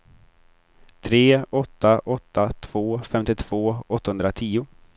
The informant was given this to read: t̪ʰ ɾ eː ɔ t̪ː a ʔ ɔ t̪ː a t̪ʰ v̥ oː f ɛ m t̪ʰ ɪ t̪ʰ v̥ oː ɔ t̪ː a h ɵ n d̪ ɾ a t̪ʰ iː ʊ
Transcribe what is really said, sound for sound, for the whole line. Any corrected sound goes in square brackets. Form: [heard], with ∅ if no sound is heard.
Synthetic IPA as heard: t̪ʰ ɾ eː ɔ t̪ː a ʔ ɔ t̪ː a t̪ʰ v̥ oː f ɛ m [t̪] ɪ t̪ʰ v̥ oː ɔ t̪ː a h ɵ n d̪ ɾ a t̪ʰ iː ʊ